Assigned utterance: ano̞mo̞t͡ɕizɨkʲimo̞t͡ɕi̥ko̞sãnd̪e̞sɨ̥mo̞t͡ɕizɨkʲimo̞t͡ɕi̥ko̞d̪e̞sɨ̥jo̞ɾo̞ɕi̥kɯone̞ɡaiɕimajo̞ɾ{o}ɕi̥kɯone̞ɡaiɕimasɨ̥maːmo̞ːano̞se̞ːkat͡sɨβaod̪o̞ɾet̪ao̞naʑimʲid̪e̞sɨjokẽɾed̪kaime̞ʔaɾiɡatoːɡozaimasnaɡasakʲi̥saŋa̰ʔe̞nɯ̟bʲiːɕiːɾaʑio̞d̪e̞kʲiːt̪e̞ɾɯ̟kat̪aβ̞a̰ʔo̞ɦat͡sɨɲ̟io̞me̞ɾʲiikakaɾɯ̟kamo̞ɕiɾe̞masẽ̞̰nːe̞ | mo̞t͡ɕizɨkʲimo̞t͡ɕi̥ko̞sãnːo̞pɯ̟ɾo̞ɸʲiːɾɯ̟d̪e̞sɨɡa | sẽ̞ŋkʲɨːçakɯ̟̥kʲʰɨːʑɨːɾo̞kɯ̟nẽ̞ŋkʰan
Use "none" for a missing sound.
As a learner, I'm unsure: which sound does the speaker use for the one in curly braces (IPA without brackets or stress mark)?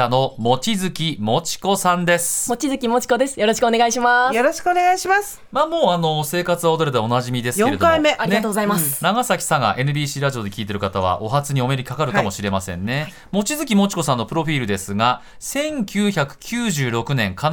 o